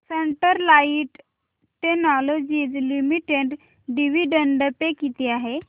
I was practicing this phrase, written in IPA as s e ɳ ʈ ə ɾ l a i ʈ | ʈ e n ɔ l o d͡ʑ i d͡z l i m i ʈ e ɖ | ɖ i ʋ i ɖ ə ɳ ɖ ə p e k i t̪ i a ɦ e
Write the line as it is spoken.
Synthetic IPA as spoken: s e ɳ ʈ ə ɾ l a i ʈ | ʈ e n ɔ l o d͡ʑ i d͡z l i m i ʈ e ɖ | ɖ i ʋ i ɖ ə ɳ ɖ ə p e k i t̪ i a ɦ e